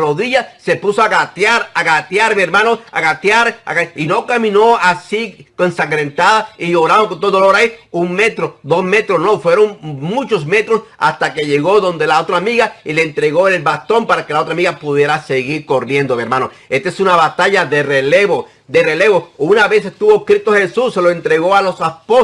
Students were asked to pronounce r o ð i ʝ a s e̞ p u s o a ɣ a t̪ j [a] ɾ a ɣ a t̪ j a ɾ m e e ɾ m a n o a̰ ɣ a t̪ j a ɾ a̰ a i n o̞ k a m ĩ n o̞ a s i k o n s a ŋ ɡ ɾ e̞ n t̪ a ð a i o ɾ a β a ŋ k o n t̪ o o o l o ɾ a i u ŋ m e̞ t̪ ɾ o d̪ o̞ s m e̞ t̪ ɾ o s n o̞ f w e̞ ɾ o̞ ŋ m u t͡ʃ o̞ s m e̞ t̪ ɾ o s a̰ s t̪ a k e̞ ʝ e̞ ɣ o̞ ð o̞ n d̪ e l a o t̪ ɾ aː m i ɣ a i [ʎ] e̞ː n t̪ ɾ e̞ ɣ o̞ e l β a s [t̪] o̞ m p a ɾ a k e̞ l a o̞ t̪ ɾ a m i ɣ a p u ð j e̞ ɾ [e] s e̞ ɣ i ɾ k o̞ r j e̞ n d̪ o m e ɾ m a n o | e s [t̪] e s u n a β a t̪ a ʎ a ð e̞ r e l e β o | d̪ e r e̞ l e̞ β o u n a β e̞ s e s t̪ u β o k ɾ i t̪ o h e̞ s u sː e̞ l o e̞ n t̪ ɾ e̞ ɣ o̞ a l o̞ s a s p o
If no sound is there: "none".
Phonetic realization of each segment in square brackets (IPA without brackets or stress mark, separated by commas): a, l, t̪, a, t̪